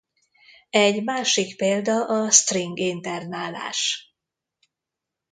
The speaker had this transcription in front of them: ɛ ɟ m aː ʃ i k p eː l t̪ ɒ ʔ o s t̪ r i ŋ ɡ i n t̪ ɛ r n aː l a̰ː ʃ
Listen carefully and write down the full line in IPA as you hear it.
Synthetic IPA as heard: ɛ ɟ m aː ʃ i k p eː l d̪ ɒ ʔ ɒ s t̪ r i ŋ ɡ i n t̪ ɛ r n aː l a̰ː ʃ